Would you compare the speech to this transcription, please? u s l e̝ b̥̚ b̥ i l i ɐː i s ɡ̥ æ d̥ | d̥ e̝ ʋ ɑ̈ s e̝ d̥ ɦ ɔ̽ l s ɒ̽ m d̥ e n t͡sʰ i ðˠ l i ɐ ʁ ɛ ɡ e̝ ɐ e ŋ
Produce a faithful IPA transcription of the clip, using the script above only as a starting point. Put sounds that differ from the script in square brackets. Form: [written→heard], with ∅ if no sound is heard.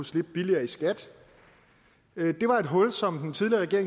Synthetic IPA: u s l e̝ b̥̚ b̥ i l i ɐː i s ɡ̥ æ d̥ | d̥ e̝ ʋ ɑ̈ [s→∅] e̝ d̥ ɦ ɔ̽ l s ɒ̽ m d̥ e n t͡sʰ i ðˠ l i ɐ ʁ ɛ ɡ e̝ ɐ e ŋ